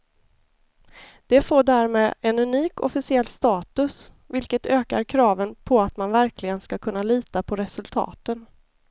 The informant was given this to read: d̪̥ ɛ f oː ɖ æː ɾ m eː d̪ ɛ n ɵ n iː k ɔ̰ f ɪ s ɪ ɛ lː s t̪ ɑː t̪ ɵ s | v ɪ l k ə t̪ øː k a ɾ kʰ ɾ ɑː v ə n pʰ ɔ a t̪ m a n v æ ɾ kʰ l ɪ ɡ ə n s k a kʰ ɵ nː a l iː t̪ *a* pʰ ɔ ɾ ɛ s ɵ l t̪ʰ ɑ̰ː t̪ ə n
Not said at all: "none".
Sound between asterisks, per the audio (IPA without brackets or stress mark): a